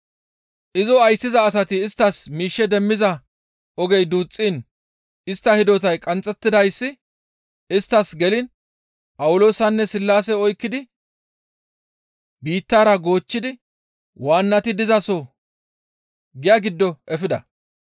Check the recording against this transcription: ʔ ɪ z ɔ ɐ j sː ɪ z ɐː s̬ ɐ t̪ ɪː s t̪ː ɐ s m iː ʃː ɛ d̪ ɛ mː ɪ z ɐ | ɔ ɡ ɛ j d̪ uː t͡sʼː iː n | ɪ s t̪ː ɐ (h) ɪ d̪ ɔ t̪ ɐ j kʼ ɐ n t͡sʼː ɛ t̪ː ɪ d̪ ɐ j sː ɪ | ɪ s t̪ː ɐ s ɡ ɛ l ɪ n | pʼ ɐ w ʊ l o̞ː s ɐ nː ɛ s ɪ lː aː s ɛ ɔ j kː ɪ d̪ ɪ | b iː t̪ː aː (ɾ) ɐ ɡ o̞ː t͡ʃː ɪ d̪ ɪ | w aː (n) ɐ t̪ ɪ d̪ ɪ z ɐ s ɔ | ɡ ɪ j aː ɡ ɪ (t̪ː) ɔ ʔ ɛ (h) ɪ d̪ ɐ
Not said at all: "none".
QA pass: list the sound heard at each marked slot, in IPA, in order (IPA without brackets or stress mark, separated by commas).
h, ɾ, nː, d̪ː, f